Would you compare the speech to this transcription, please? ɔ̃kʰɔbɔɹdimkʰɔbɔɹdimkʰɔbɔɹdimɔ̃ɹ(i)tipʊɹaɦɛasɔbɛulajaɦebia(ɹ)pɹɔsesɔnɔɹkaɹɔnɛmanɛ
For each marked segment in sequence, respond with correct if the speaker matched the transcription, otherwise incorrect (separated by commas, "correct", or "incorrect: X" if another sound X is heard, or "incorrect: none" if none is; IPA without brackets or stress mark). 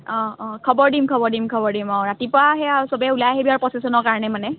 incorrect: a, correct